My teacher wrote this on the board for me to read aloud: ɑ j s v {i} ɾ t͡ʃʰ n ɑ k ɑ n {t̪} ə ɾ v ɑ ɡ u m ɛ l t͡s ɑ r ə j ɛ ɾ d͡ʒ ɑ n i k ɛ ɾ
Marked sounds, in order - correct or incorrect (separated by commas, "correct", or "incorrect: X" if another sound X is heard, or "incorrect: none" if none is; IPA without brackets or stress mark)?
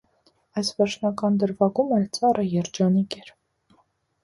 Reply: incorrect: ɛ, incorrect: d̪